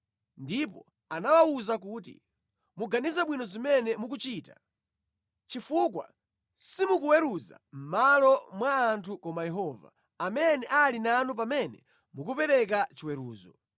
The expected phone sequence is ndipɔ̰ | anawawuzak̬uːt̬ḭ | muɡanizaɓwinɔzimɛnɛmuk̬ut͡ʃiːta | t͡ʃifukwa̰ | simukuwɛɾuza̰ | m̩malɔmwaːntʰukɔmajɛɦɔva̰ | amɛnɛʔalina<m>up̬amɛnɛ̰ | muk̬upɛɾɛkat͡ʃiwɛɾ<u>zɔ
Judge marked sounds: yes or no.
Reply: no, no

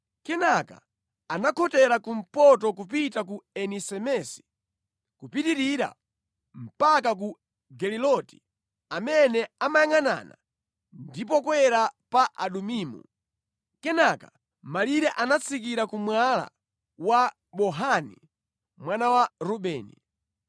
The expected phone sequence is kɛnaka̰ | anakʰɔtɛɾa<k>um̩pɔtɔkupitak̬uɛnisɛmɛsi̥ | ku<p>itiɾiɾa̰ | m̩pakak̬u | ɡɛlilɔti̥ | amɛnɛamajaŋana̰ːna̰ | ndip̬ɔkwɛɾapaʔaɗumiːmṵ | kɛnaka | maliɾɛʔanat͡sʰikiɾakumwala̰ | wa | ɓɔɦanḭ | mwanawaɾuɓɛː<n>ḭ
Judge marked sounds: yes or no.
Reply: yes, yes, yes

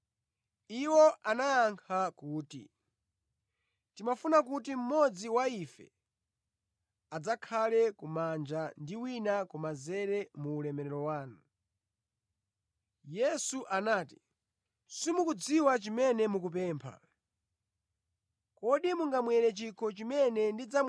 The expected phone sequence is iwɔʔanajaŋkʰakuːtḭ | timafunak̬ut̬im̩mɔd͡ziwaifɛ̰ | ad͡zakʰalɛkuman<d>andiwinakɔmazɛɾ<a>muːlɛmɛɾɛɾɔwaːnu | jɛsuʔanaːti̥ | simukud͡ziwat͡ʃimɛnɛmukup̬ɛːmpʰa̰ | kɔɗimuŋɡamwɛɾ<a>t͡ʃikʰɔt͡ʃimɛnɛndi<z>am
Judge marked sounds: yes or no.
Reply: no, no, no, no

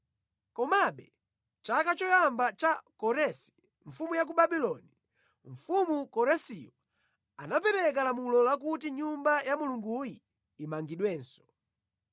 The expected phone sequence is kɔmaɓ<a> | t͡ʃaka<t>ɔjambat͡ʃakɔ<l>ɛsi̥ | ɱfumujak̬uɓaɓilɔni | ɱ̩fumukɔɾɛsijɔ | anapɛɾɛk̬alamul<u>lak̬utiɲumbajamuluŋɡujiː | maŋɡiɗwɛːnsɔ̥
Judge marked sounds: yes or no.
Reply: no, no, no, no

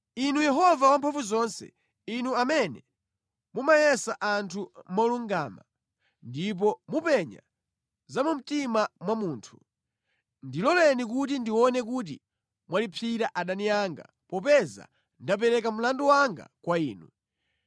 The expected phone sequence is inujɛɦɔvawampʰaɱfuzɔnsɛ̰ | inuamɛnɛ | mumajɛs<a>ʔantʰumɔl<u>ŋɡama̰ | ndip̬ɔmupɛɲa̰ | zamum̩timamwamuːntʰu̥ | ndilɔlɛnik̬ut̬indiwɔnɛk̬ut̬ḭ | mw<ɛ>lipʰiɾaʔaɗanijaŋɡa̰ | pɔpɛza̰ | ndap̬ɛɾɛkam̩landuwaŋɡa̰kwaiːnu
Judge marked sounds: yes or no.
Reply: yes, yes, no

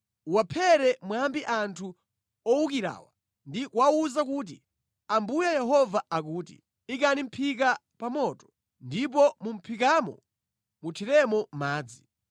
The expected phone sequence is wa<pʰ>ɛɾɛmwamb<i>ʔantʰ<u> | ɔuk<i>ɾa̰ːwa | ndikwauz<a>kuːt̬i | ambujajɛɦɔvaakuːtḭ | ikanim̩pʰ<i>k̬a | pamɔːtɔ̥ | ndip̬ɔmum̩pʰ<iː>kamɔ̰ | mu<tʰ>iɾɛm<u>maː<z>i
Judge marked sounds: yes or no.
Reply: yes, yes, yes, yes, yes, yes, no, yes, no, no

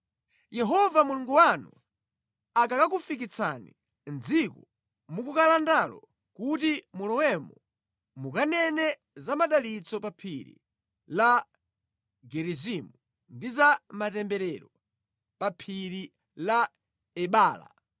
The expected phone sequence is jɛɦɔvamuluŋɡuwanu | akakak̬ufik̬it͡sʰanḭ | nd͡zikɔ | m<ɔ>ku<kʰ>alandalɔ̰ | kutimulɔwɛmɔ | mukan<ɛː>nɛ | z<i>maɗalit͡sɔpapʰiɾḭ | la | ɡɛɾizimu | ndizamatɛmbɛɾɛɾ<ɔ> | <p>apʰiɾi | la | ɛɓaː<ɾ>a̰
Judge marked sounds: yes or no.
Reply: no, no, no, no, yes, yes, no

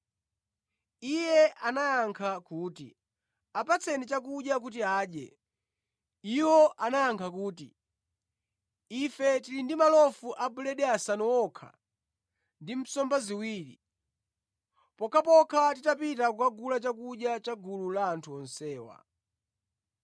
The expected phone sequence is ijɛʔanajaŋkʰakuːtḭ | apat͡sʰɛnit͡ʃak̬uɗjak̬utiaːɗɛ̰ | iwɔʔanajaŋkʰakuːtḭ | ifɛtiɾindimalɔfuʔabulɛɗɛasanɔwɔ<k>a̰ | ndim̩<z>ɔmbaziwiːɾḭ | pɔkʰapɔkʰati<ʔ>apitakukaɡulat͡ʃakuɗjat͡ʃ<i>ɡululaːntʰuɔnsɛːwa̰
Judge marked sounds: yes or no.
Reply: no, no, no, no

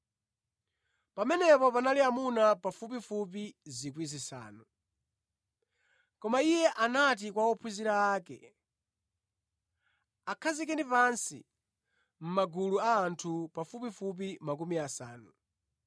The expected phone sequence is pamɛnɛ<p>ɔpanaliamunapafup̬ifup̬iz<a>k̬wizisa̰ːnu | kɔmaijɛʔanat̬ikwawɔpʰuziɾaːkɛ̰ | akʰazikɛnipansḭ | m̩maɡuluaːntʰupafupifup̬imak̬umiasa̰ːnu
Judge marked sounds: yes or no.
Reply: yes, no

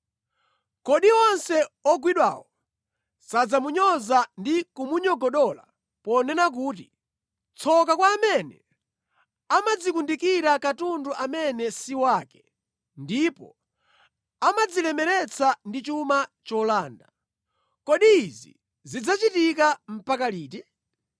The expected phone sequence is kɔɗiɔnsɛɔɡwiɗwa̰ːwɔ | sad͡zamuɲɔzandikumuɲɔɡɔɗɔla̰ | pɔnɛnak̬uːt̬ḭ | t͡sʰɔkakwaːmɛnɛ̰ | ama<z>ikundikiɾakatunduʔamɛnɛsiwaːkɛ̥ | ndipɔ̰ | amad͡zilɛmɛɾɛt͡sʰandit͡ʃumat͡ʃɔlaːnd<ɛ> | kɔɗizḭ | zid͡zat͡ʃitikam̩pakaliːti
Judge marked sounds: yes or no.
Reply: no, no

